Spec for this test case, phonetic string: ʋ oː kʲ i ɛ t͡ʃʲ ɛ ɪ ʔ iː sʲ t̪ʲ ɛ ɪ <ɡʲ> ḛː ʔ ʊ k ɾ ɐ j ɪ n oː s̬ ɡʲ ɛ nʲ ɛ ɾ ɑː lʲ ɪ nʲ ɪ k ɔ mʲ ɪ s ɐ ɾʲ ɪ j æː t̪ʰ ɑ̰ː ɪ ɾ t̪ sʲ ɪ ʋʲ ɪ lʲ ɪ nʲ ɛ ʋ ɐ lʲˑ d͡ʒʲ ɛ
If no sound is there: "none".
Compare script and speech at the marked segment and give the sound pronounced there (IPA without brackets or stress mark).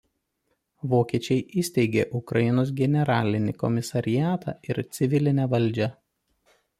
ɡʲ